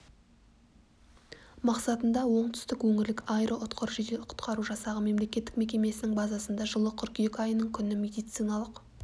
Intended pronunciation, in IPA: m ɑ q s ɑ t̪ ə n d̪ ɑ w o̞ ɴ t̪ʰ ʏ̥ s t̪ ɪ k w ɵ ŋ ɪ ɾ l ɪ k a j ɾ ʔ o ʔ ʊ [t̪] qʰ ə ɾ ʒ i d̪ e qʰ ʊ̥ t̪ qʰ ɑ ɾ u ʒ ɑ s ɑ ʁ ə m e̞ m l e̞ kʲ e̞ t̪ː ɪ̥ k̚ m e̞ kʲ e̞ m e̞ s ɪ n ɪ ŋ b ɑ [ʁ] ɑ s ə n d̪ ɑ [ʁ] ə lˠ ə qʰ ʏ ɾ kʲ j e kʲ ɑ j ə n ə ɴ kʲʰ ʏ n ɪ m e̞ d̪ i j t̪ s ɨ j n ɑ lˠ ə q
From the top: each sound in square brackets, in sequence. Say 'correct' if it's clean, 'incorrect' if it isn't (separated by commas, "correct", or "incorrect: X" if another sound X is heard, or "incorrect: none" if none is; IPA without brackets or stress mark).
correct, incorrect: z, incorrect: ʒ